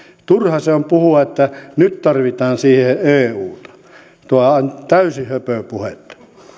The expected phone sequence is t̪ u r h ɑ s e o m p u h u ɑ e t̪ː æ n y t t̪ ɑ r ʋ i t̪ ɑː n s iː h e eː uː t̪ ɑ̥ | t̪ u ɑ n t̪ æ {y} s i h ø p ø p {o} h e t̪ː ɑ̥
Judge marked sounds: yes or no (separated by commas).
yes, no